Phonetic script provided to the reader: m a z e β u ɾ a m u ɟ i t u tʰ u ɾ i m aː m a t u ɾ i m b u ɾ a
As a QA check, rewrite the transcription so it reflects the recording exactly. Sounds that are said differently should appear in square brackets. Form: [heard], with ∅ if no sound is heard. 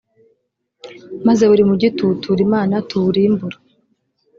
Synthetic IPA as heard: m a z e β u ɾ [i] m u ɟ i t u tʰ u ɾ i m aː [n] a t u ɾ i m b u ɾ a